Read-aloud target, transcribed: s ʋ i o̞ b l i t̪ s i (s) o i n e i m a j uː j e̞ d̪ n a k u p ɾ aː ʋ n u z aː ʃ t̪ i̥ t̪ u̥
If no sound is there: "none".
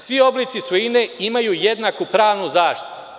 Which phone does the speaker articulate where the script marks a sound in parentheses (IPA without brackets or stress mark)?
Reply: s